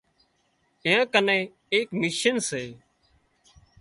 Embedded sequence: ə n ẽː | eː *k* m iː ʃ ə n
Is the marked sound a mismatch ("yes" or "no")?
no